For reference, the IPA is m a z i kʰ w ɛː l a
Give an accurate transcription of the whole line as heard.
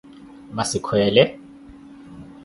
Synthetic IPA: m a s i kʰ w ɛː l ɛ